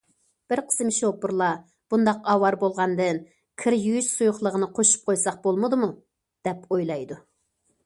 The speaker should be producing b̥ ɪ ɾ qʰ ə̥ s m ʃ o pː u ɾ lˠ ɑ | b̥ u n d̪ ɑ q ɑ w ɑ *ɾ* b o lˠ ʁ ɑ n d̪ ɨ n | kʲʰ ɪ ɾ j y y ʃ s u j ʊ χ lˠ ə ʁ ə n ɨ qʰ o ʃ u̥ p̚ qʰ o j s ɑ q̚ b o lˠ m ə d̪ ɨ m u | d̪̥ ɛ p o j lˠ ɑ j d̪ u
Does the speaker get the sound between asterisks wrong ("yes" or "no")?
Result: no